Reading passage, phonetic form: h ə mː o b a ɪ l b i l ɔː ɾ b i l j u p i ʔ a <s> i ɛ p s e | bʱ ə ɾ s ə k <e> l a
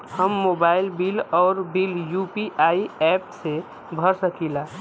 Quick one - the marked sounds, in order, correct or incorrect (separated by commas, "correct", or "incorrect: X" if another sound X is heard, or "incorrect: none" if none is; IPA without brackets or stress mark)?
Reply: incorrect: none, incorrect: i